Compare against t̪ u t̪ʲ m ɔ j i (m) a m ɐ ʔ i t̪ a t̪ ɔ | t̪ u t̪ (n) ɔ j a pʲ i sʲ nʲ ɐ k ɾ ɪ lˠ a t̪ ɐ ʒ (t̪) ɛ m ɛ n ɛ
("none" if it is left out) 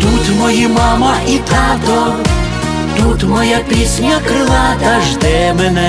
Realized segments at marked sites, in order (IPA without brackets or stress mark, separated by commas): m, m, d̪